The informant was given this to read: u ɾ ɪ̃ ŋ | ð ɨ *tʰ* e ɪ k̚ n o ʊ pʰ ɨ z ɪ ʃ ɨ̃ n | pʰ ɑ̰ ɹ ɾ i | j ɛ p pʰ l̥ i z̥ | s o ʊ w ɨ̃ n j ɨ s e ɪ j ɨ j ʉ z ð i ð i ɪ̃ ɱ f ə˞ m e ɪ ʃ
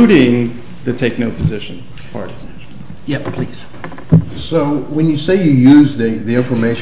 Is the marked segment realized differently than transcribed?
no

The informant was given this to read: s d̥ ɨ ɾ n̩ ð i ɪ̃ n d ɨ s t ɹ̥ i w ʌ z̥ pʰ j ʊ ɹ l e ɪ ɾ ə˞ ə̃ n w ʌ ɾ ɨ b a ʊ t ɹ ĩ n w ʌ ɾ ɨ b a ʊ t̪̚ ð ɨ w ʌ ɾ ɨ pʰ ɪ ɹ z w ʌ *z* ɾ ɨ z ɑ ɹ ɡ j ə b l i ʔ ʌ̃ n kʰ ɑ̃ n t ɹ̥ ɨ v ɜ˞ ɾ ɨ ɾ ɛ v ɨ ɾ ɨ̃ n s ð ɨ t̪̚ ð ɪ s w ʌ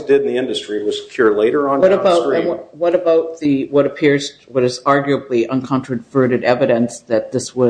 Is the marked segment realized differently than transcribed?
yes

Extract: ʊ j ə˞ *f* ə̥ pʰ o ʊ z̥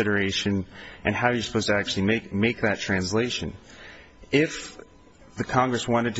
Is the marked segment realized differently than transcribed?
yes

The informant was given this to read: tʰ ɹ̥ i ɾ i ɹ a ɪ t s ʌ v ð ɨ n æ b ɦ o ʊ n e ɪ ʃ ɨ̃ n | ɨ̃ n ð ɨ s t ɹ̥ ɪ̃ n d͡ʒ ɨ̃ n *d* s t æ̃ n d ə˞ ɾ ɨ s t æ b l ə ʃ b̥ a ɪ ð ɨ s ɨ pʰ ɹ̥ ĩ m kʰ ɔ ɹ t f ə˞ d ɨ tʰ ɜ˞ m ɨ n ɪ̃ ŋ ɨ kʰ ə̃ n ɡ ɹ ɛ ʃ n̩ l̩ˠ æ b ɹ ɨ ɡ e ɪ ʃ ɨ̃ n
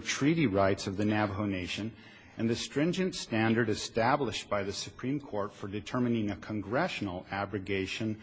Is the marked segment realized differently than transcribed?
yes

